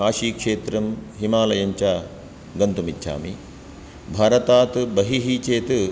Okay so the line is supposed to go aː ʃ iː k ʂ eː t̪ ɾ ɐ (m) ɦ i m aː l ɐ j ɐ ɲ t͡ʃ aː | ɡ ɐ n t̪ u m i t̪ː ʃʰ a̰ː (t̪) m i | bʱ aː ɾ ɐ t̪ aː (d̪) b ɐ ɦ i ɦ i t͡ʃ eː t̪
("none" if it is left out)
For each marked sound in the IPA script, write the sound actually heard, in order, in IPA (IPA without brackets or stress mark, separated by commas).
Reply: m, none, t̪